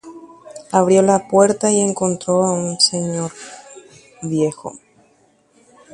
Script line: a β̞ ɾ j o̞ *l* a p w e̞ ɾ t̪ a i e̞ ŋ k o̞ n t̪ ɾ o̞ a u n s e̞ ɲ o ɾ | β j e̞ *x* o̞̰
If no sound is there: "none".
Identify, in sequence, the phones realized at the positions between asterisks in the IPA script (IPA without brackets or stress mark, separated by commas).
l, x